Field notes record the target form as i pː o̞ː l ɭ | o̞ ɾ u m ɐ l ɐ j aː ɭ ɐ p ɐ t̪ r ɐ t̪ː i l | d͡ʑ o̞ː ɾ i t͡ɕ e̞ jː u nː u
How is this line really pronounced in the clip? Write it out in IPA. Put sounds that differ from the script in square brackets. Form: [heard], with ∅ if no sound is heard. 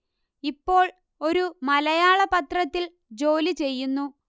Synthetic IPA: i pː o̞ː [∅] ɭ | o̞ ɾ u m ɐ l ɐ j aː ɭ ɐ p ɐ t̪ r ɐ t̪ː i l | d͡ʑ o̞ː [l] i t͡ɕ e̞ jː u nː u